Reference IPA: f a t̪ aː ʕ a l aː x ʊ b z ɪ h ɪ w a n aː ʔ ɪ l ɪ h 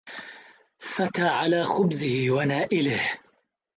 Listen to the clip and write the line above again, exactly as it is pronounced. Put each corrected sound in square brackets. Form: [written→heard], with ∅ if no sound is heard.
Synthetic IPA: f a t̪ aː ʕ a l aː x ʊ b z ɪ h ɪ w a n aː ʔ ɪ l ɪ h